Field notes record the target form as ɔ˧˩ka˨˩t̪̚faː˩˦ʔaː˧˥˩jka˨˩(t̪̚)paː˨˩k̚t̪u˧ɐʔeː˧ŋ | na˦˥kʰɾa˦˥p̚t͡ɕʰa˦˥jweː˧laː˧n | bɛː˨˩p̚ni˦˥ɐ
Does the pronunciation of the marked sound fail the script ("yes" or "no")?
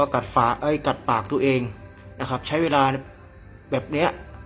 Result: no